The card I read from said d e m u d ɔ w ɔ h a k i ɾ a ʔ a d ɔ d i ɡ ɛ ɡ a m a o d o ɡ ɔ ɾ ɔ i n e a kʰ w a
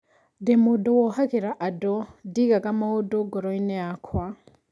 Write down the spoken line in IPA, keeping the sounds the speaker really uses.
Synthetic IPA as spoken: d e m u d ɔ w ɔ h a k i ɾ a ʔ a d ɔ d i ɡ a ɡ a m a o d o ɡ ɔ ɾ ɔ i n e a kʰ w a